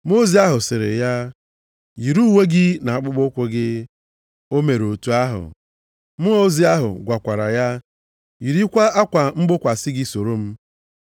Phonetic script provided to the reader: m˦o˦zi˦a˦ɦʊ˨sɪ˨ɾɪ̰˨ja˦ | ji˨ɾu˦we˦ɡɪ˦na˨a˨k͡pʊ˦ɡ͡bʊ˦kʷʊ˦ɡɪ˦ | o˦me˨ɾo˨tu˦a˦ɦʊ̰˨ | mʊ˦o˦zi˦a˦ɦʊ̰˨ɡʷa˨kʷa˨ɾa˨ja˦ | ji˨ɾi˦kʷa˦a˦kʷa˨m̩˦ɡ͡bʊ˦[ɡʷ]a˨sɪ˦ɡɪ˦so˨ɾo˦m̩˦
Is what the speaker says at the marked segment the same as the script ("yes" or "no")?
no